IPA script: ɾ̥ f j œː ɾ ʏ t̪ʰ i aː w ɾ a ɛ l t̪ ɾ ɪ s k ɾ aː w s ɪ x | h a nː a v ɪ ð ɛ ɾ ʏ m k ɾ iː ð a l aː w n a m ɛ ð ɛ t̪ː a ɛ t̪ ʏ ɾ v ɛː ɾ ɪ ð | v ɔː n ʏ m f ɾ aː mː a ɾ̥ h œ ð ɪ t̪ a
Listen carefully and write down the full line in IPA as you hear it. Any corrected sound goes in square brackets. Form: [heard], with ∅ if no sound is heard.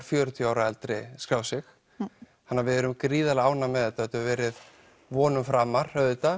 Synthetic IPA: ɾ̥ f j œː ɾ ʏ t̪ʰ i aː w ɾ a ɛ l t̪ ɾ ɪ s k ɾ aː w s ɪ x | h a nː a v ɪ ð ɛ ɾ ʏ m k ɾ iː ð a l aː w n a m ɛ ð ɛ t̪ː a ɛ t̪ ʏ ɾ v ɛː ɾ ɪ ð | v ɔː n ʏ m f ɾ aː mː a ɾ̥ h œ ð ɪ t̪ a